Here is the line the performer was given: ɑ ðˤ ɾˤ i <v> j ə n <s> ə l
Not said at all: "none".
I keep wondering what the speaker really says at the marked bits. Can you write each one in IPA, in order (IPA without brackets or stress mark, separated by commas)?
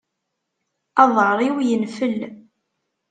w, f